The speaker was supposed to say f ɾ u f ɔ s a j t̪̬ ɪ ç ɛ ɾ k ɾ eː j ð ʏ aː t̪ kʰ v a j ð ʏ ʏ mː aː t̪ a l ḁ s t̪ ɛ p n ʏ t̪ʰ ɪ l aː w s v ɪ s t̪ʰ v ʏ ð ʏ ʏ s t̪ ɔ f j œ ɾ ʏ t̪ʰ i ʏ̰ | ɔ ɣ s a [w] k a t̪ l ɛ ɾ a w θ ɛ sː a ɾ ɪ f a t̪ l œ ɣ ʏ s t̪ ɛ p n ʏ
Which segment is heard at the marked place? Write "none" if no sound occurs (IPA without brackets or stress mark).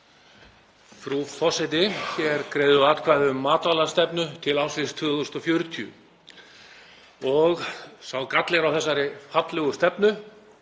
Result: w